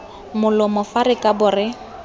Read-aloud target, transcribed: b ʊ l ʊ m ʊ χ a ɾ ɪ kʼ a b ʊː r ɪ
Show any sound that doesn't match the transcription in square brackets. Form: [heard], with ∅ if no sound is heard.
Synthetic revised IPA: [m] ʊ l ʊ m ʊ [f] a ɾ ɪ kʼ a b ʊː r ɪ